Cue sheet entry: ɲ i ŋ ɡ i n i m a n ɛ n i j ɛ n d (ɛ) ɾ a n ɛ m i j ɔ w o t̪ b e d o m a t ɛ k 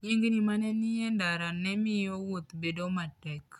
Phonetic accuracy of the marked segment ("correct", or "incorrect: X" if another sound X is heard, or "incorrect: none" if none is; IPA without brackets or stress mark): incorrect: a